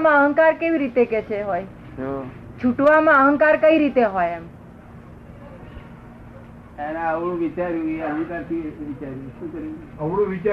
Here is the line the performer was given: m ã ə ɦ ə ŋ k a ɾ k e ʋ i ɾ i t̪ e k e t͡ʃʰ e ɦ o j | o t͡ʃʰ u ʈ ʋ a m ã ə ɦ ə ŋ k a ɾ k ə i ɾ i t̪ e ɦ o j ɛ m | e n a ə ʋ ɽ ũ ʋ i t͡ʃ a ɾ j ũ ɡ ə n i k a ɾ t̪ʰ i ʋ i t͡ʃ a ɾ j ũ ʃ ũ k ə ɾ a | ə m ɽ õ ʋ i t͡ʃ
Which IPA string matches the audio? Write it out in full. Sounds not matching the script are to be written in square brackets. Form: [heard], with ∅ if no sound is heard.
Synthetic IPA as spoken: m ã ə ɦ ə ŋ k a ɾ k e ʋ i ɾ i t̪ e k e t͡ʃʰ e ɦ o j | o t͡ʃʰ u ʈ ʋ a m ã ə ɦ ə ŋ k a ɾ k ə i ɾ i t̪ e ɦ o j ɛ m | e n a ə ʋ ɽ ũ ʋ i t͡ʃ a ɾ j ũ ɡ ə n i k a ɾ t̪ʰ i ʋ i t͡ʃ a ɾ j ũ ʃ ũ k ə ɾ [i] | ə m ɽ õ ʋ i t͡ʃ